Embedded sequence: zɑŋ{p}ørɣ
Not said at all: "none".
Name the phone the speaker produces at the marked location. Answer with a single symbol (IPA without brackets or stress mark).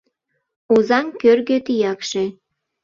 k